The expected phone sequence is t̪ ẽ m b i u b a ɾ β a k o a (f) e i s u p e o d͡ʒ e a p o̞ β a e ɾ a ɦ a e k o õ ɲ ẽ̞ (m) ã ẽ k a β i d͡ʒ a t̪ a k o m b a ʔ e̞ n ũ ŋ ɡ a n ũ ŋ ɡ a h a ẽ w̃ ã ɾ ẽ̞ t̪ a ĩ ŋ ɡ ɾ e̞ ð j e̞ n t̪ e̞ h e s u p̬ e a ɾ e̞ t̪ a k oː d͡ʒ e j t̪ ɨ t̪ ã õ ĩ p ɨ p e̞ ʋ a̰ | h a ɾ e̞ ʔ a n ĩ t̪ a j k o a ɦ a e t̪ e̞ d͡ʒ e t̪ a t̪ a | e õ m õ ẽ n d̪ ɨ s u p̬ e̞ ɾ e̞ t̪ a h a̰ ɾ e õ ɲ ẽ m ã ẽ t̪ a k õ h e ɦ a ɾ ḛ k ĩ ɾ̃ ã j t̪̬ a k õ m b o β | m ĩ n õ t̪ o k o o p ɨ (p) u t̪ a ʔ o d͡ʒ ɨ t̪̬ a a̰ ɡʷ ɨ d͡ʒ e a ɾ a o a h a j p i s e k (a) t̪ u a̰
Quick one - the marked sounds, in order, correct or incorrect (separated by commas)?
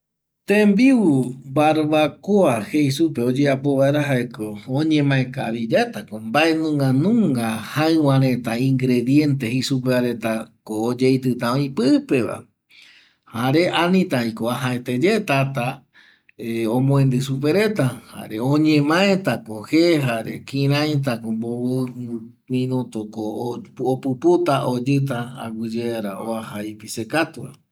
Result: incorrect, correct, correct, correct